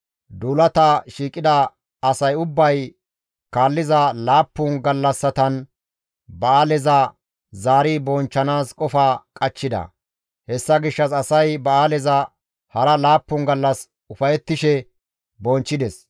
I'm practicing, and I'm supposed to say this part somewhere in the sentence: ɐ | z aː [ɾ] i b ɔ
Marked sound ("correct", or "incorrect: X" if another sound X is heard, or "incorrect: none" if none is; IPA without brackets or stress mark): correct